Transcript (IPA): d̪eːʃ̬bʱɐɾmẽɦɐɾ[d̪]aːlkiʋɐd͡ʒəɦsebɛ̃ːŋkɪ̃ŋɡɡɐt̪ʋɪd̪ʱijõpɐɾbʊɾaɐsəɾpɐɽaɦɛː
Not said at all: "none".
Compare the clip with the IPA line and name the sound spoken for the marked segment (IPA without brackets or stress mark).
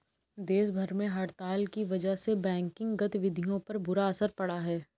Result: t̪